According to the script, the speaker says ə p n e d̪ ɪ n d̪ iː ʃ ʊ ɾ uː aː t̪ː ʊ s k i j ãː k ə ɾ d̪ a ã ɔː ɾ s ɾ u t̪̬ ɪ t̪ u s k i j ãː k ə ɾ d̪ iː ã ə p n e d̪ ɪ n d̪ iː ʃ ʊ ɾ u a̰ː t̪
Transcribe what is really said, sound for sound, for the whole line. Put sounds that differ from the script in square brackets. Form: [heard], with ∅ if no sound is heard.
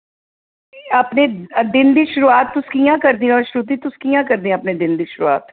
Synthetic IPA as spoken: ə p n e d̪ ɪ n d̪ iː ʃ ʊ ɾ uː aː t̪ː ʊ s k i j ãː k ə ɾ d̪ [i] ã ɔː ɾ [ʃ] ɾ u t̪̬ [i] t̪ [ʊ] s k i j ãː k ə ɾ d̪ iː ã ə p n e d̪ ɪ n d̪ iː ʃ ʊ ɾ u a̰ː t̪